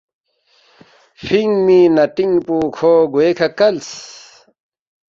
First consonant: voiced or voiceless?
voiceless